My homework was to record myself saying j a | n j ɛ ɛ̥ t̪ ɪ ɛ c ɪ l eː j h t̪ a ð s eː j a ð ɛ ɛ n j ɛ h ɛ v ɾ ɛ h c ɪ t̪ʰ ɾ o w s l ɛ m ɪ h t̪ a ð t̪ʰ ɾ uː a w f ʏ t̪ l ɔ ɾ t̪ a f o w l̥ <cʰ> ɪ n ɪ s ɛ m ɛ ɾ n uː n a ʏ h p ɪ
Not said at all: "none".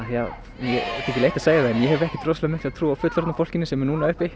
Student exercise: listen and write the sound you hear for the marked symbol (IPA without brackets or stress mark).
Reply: c